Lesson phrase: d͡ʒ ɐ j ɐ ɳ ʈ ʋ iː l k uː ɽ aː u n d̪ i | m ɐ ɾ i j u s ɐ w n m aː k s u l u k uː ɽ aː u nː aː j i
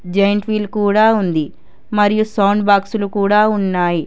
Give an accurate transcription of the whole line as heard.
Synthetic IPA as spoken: d͡ʒ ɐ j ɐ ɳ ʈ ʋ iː l k uː ɽ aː u n d̪ i | m ɐ ɾ i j u s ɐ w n b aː k s u l u k uː ɽ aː u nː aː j i